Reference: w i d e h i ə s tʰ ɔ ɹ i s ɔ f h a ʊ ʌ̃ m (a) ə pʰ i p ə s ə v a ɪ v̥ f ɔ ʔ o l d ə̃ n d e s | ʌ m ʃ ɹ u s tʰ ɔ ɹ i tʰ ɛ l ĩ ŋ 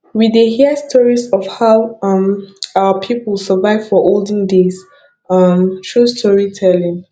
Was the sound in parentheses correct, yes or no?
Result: yes